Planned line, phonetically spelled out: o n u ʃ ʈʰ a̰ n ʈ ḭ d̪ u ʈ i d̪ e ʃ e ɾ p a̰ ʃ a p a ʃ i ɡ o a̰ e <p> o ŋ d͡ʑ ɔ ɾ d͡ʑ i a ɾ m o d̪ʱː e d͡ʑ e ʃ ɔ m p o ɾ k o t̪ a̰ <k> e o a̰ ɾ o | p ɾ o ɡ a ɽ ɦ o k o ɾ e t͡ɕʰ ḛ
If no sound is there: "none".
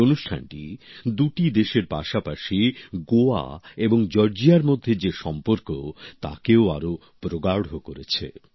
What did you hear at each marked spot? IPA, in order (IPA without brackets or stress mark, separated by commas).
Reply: b, k